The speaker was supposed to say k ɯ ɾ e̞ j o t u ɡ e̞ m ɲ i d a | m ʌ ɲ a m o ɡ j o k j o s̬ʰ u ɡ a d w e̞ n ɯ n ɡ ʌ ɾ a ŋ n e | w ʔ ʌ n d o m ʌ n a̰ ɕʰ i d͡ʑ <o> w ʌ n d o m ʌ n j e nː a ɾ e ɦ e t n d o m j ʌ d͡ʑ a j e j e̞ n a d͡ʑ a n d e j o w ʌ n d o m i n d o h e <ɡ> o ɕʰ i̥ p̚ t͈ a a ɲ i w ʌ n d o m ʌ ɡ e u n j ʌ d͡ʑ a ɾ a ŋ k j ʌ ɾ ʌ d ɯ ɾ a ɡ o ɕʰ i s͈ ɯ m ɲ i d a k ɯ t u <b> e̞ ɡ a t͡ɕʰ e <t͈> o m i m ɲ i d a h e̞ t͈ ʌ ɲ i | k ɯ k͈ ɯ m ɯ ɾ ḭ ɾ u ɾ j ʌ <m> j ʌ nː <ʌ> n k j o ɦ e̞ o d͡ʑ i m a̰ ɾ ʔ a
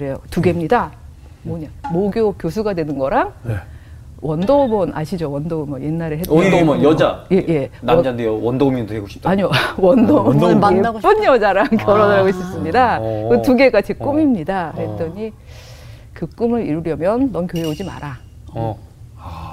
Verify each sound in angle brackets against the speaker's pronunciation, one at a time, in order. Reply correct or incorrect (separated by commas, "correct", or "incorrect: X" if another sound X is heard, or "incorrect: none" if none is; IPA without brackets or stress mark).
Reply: correct, correct, incorrect: ɡ, incorrect: k͈, correct, correct